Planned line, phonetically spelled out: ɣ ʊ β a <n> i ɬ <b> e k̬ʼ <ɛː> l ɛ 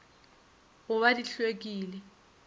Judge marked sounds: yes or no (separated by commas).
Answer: no, no, no